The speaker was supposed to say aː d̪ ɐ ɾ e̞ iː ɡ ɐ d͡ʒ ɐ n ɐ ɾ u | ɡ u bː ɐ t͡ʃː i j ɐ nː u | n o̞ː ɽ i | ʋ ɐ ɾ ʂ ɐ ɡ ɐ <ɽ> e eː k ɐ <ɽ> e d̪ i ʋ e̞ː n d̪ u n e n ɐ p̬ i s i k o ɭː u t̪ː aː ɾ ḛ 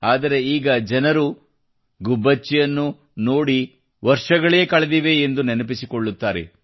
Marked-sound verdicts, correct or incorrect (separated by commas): incorrect, incorrect